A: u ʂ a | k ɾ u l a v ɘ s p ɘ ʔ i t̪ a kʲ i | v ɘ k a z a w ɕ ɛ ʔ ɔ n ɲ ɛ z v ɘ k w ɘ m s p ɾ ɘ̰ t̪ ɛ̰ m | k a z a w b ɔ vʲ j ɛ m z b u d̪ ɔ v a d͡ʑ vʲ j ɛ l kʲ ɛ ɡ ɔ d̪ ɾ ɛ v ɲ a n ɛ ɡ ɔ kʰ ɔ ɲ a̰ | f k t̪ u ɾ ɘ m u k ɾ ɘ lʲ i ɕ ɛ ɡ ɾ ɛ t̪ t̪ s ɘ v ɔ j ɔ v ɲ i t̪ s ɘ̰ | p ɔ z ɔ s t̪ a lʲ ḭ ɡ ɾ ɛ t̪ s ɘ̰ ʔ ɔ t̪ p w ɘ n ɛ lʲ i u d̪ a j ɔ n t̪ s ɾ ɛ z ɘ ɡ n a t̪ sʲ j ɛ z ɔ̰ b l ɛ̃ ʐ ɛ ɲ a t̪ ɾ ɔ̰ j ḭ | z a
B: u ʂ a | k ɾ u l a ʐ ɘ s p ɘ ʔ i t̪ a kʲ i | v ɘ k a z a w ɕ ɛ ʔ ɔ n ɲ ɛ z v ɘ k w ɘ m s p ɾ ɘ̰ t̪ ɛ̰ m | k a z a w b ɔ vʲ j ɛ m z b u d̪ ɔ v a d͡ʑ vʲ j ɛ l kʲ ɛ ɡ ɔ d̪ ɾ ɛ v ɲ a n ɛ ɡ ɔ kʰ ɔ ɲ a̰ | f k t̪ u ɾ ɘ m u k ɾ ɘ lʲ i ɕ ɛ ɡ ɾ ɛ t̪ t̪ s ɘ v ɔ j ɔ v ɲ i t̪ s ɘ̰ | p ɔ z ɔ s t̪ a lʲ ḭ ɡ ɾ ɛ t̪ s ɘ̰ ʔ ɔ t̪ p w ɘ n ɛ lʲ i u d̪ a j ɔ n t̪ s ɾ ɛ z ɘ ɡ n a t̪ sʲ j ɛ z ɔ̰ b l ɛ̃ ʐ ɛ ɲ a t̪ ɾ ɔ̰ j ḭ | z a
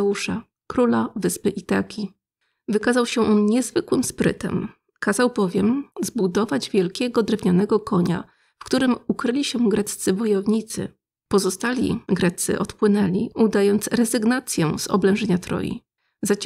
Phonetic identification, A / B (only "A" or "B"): A